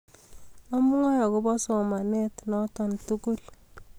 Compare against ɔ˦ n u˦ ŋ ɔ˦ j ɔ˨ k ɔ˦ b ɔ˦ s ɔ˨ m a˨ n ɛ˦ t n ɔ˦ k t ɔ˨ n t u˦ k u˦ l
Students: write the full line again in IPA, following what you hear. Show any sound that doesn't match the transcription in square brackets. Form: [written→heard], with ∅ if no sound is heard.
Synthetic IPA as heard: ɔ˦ [n→m] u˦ ŋ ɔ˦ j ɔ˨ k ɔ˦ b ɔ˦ s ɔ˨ m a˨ n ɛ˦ t n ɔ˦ [k→∅] t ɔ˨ n t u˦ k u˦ l